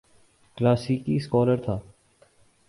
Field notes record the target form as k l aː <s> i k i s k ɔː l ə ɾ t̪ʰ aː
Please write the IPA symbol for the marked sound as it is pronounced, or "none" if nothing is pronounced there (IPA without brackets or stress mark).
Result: s